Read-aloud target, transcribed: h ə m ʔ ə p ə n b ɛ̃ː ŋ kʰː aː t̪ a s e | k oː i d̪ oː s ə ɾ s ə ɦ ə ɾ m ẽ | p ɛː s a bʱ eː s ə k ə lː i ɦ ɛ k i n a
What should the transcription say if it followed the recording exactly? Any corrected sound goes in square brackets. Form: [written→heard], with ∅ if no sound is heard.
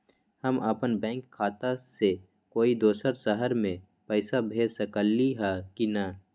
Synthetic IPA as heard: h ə m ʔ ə p ə n b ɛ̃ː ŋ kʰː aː t̪ a s e | k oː i d̪ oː s ə ɾ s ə ɦ ə ɾ m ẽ | p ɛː s a bʱ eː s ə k ə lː i ɦ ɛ k i n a